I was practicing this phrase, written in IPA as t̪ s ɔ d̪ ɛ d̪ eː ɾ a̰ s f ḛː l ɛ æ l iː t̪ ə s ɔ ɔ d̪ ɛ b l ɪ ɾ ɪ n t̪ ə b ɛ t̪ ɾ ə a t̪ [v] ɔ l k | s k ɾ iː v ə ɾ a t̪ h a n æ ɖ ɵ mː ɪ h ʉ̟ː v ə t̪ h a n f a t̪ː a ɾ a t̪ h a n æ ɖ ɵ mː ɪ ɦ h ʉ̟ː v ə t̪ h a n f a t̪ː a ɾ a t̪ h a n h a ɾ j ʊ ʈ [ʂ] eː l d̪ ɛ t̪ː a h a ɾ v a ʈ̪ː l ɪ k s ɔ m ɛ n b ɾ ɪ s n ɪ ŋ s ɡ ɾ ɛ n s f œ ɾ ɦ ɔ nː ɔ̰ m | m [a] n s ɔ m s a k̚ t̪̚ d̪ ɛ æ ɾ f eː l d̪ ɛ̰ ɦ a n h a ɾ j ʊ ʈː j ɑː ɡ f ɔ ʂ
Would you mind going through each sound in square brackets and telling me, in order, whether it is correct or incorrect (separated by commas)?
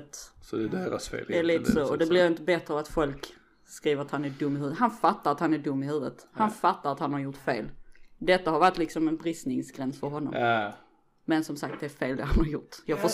incorrect, incorrect, incorrect